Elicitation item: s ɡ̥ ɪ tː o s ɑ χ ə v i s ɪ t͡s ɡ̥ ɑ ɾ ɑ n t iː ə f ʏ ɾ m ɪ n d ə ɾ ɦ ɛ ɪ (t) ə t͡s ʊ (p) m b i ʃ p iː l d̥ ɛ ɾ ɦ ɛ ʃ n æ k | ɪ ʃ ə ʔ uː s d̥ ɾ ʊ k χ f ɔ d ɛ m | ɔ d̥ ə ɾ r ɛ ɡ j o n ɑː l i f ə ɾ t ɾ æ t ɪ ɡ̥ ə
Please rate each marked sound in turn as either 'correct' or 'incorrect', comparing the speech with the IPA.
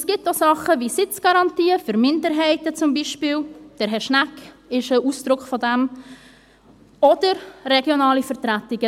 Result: correct, incorrect: none

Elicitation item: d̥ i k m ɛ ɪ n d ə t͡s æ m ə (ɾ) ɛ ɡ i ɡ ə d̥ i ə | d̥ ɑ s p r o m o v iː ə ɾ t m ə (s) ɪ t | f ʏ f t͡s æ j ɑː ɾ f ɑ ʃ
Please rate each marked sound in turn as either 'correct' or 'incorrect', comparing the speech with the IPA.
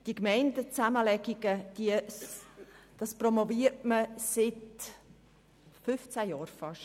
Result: incorrect: l, correct

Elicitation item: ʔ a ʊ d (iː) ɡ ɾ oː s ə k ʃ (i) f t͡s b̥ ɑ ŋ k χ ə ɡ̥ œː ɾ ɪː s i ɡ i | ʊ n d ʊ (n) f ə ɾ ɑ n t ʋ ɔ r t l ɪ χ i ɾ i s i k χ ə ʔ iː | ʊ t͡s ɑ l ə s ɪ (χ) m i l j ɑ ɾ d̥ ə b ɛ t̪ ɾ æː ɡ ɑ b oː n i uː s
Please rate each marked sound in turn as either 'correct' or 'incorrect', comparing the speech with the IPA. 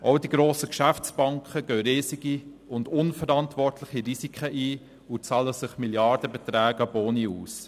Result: incorrect: i, incorrect: æ, correct, correct

